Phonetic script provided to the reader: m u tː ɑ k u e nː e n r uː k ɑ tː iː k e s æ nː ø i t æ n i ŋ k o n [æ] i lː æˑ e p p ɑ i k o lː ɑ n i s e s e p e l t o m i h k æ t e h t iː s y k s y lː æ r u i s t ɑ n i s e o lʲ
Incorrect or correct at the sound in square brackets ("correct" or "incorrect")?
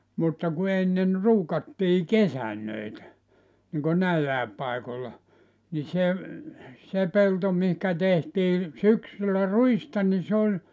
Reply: correct